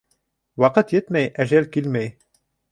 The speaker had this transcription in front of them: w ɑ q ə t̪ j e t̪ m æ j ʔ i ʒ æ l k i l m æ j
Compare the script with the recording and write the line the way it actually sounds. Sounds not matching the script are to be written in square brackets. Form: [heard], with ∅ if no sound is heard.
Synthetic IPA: w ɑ q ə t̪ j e t̪ m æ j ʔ [æ] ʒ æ l k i l m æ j